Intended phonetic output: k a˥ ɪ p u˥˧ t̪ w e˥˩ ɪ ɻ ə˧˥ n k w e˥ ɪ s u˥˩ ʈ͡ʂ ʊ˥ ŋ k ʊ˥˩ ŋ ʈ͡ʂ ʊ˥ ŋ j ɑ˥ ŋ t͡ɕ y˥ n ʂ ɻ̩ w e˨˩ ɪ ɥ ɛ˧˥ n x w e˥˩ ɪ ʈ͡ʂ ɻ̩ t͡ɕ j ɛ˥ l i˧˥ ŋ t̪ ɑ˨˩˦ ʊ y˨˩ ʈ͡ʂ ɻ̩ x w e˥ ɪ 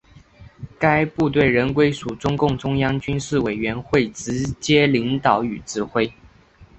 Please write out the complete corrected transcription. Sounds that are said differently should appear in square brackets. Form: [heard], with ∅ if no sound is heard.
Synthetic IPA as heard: k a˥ ɪ p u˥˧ t̪ w e˥˩ ɪ ɻ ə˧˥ n k w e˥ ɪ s [u˨˩] ʈ͡ʂ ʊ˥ ŋ k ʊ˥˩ ŋ ʈ͡ʂ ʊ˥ ŋ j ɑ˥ ŋ t͡ɕ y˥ n ʂ ɻ̩ w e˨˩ ɪ ɥ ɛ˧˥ n x w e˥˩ ɪ ʈ͡ʂ ɻ̩ t͡ɕ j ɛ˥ l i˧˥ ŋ t̪ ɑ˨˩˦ ʊ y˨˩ ʈ͡ʂ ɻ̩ x w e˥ ɪ